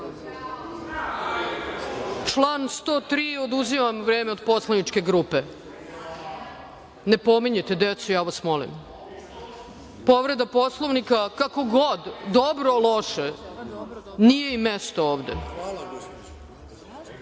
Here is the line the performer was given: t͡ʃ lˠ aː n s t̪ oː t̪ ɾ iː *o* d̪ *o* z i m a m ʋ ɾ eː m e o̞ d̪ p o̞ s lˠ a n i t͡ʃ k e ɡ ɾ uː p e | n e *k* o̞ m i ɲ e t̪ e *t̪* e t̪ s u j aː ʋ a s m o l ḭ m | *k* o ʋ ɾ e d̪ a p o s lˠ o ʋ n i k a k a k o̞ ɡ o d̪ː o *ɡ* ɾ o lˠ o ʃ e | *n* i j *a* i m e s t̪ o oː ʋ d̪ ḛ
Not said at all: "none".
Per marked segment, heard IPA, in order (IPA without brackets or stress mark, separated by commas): o, u, p, d̪, p, b, n, e